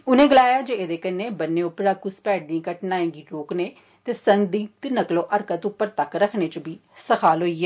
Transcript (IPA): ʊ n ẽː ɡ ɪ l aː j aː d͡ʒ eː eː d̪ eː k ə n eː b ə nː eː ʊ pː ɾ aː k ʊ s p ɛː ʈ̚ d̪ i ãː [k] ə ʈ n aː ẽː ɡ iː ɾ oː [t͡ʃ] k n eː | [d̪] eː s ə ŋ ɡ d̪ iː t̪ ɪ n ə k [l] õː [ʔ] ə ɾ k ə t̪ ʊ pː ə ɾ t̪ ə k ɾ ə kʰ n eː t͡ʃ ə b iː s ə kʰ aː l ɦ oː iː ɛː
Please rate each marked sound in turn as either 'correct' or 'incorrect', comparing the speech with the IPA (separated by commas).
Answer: correct, incorrect, incorrect, correct, correct